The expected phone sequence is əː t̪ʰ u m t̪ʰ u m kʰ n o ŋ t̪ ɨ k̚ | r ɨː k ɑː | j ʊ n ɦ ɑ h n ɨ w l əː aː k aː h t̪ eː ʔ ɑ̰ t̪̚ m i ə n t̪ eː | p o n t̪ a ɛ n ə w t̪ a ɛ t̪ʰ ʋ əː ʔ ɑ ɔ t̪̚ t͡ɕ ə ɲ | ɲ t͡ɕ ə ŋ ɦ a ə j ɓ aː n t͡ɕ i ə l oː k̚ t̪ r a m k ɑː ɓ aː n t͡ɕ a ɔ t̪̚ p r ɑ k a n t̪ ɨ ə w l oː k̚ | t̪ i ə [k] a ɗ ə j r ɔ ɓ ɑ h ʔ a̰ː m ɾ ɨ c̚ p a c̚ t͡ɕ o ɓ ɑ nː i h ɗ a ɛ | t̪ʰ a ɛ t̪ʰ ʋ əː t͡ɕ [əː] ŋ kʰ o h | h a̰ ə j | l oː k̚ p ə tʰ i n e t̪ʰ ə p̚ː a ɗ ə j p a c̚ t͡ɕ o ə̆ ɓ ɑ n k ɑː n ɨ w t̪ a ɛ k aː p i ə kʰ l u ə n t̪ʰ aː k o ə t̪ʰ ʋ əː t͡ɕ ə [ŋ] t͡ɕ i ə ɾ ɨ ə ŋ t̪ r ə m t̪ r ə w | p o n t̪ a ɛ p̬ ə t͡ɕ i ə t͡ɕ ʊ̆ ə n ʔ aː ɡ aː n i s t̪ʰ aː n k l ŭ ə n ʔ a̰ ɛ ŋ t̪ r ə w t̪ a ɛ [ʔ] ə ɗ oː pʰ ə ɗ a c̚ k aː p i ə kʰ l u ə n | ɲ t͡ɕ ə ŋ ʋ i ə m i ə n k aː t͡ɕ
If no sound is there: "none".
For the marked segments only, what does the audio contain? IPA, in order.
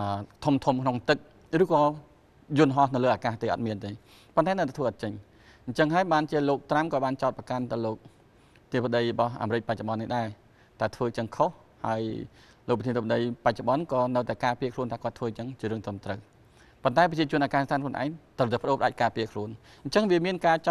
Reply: p, ə, ŋ, p

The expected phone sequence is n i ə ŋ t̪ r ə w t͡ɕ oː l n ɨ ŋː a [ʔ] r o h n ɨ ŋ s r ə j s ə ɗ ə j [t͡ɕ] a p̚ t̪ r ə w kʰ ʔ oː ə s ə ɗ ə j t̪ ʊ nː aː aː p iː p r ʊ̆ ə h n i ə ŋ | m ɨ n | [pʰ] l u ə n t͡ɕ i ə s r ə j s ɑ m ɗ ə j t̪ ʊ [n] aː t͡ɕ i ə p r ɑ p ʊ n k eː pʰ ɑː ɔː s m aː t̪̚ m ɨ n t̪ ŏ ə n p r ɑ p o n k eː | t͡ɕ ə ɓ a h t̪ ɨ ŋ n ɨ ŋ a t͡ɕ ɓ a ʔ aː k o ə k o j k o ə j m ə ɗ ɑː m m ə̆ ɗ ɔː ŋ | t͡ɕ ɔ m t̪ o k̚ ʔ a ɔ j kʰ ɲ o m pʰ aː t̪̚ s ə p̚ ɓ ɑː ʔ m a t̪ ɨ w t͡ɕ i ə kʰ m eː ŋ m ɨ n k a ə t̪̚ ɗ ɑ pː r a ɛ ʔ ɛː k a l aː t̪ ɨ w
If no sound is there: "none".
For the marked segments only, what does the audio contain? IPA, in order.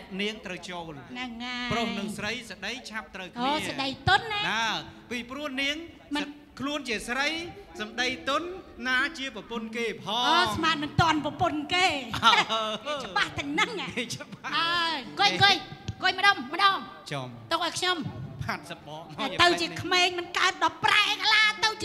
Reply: p, t͡ɕʰ, kʰ, nː

